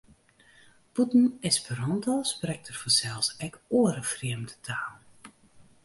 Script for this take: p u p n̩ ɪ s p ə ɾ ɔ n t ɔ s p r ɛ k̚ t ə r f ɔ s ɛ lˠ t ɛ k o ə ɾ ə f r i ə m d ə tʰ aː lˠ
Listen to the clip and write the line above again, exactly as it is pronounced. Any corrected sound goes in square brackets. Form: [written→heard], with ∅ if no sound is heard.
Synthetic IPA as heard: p u [p→t] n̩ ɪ s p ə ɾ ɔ n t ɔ s p r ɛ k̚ t ə r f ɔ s ɛ lˠ [t→s] ɛ k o ə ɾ ə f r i ə m d ə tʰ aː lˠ